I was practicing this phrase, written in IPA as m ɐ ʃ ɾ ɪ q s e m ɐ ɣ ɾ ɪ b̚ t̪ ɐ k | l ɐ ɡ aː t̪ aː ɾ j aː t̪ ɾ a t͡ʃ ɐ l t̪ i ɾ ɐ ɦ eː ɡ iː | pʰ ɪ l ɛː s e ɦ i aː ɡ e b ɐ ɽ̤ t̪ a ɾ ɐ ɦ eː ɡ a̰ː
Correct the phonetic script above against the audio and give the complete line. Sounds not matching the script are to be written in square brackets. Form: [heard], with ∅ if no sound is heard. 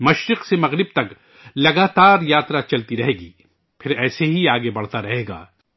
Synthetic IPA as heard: m ɐ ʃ ɾ ɪ q s e m ɐ ɣ ɾ ɪ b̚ t̪ ɐ k | l ɐ ɡ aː t̪ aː ɾ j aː t̪ ɾ a t͡ʃ ɐ l t̪ i ɾ ɐ ɦ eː ɡ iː | pʰ ɪ [ɾ] ɛː s e ɦ i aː ɡ e b ɐ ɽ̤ t̪ a ɾ ɐ ɦ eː ɡ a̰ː